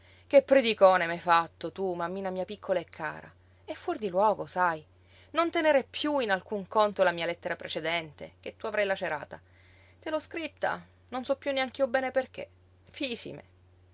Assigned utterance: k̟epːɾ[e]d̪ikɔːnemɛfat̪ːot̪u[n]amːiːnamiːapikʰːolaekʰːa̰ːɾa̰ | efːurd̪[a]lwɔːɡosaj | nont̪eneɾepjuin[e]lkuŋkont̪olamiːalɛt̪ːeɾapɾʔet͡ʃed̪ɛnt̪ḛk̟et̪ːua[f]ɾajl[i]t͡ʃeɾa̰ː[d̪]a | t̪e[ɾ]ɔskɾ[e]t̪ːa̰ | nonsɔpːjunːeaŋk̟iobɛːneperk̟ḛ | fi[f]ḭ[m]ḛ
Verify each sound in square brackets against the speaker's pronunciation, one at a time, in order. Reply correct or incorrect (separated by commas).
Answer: correct, incorrect, incorrect, incorrect, incorrect, incorrect, incorrect, incorrect, incorrect, incorrect, correct